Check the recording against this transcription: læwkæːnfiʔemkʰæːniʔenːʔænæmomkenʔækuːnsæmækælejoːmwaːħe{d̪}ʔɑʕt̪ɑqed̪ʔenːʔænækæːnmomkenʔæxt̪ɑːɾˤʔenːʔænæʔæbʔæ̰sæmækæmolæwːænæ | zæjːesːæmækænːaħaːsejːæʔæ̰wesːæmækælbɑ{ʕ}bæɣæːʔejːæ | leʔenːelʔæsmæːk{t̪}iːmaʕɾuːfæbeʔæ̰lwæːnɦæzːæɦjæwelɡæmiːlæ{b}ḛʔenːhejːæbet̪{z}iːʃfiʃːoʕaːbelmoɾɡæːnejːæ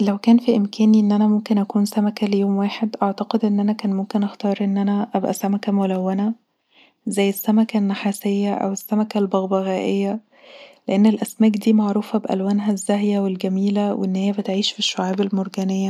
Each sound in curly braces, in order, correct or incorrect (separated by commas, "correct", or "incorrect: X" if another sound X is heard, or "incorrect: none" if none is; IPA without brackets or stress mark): correct, incorrect: ɣ, incorrect: d̪, incorrect: w, incorrect: ʕ